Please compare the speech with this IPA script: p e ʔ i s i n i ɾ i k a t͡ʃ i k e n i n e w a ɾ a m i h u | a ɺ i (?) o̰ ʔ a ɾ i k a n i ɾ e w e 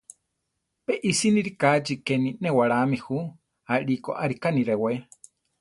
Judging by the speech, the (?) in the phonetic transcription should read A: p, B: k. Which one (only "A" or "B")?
B